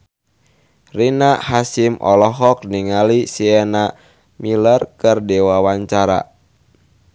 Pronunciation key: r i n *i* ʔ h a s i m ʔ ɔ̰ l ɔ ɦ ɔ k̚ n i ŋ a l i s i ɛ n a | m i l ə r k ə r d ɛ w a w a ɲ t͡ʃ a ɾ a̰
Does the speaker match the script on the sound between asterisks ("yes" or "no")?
no